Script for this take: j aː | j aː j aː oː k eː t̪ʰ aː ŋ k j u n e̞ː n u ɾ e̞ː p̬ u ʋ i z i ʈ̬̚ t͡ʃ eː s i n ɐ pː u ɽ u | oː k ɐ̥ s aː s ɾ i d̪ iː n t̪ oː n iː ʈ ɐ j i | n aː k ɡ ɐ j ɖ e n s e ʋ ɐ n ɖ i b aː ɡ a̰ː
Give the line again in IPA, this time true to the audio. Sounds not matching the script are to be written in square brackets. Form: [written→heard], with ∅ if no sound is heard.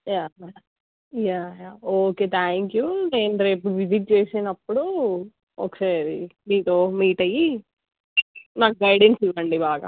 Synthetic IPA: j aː | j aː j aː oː k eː t̪ʰ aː ŋ k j u n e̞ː n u ɾ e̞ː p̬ u ʋ i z i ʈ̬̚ t͡ʃ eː s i n ɐ pː u ɽ u | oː k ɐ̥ s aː [s→∅] ɾ i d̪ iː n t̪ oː [n→m] iː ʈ ɐ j i | n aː k ɡ ɐ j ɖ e n s [e→i] ʋ ɐ [n→ɳ] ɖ i b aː ɡ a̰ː